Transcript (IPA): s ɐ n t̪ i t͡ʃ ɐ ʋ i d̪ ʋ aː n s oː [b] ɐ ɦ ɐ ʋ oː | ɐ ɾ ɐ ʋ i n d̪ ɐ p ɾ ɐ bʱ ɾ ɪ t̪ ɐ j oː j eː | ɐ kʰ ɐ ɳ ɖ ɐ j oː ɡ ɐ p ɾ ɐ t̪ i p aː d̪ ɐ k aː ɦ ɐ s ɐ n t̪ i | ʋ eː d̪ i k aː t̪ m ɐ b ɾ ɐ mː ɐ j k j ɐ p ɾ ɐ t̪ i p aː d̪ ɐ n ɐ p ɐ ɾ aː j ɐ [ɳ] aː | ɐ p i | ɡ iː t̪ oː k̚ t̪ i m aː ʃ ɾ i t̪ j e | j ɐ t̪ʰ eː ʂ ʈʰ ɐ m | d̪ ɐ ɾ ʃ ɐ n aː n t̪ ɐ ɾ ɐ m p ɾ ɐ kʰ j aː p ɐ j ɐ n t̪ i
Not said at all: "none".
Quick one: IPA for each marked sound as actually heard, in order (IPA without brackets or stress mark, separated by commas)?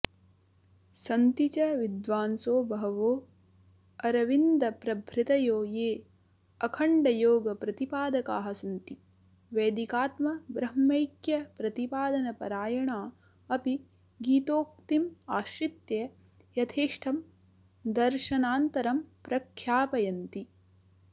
b, ɳ